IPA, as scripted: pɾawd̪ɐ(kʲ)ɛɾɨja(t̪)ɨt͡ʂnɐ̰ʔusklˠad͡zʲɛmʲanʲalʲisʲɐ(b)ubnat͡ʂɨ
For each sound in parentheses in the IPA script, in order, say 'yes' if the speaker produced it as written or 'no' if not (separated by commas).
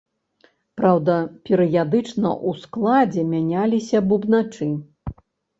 no, no, yes